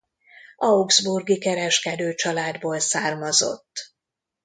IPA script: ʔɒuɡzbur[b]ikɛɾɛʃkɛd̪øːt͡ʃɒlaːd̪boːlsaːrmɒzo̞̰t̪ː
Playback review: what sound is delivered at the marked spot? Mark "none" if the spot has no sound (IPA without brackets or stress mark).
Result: ɡ